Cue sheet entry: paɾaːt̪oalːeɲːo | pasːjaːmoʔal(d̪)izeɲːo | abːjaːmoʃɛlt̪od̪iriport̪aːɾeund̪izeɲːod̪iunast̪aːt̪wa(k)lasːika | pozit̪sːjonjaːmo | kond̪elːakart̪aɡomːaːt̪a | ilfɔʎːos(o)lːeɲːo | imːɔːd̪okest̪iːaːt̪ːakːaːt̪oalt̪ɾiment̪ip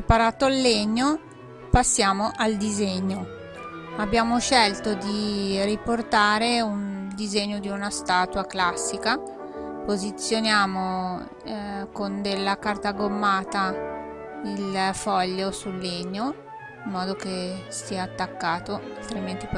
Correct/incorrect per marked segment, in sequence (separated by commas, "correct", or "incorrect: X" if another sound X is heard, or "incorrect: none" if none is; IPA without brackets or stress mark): correct, correct, incorrect: u